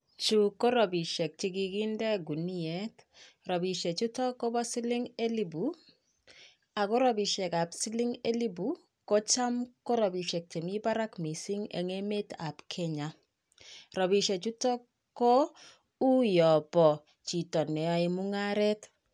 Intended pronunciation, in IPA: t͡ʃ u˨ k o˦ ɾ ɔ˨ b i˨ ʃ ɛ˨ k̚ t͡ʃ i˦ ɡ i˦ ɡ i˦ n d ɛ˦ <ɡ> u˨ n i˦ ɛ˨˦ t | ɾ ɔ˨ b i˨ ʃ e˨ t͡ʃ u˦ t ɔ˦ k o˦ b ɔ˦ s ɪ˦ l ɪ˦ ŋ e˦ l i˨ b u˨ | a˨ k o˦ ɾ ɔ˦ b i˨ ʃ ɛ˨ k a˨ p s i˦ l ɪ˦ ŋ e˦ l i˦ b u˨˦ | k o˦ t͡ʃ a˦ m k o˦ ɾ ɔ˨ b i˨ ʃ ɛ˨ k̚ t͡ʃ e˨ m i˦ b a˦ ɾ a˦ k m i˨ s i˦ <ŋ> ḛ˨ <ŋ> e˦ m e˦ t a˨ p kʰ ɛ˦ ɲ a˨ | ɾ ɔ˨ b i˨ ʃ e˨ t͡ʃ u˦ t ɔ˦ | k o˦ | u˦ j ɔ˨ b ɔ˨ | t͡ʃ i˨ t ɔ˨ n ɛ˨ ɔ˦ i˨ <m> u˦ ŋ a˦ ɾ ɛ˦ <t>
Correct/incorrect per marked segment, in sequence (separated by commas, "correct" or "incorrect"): correct, correct, correct, correct, correct